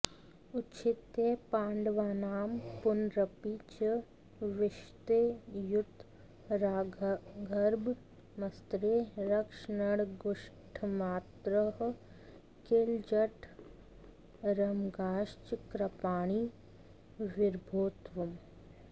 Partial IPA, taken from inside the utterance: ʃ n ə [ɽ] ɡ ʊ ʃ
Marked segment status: correct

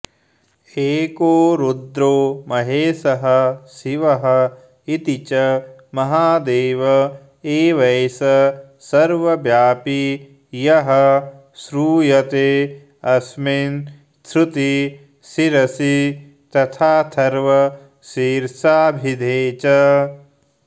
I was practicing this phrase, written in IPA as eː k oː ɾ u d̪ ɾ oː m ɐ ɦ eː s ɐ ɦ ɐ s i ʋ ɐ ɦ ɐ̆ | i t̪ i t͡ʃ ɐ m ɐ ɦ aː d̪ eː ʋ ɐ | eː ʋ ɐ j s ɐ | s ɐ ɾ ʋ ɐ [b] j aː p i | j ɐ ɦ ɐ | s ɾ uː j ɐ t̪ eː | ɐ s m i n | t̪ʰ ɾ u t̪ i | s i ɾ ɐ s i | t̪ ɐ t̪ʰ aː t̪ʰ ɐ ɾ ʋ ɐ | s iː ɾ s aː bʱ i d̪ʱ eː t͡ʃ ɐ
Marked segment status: correct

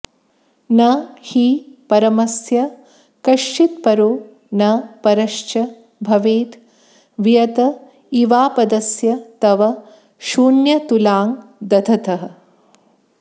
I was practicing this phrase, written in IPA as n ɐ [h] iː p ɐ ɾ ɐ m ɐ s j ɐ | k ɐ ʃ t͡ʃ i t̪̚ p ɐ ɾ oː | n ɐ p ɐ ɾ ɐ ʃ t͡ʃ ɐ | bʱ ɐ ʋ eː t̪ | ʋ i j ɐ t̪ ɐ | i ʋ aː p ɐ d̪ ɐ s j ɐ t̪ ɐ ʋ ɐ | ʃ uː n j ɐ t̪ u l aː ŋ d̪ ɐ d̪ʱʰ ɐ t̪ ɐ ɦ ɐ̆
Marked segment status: correct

